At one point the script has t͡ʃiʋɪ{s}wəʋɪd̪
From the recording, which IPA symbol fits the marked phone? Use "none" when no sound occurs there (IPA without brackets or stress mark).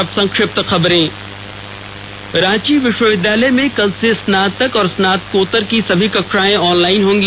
ʃ